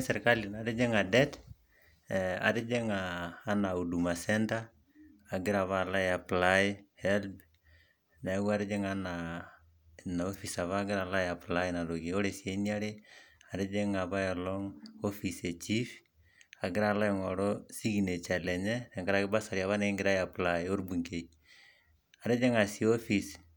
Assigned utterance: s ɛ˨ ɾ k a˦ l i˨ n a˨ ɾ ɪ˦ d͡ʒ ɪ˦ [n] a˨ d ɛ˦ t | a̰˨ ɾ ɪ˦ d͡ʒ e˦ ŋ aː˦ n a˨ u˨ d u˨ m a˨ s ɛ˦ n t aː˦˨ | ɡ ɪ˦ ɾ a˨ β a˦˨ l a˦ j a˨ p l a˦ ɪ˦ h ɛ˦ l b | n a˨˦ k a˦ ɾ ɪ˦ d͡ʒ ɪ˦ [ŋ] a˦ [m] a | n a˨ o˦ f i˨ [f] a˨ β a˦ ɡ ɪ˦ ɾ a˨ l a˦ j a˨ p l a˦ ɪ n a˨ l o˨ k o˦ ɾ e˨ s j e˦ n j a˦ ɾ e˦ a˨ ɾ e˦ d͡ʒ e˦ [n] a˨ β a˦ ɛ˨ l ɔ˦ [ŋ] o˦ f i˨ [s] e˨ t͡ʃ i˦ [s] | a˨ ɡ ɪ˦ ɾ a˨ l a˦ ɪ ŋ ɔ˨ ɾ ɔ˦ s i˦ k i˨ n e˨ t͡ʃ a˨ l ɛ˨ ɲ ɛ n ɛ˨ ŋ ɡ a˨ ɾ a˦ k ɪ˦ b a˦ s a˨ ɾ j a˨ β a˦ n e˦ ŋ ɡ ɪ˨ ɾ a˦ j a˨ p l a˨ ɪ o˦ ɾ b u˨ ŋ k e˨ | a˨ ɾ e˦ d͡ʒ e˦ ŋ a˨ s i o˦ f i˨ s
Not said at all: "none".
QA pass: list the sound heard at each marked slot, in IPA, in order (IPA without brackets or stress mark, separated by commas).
ŋ, ŋ, n, s, ŋ, ŋ, s, f